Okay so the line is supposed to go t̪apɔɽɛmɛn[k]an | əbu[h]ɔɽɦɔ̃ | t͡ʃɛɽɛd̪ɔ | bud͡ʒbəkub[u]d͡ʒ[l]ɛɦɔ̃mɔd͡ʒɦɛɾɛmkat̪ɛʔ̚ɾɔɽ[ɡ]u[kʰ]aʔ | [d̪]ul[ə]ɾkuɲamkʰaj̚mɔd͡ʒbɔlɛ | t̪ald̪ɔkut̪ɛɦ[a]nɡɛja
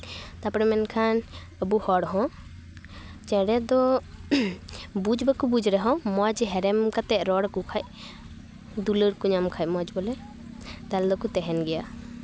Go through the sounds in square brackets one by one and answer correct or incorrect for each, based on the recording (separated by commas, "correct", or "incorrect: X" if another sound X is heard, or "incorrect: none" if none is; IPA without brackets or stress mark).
incorrect: kʰ, correct, correct, incorrect: ɾ, incorrect: k, correct, correct, correct, incorrect: ɛ